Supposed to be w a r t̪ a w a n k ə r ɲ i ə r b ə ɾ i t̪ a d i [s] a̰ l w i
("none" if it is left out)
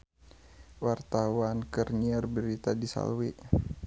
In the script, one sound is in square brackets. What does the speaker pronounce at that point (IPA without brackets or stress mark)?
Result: s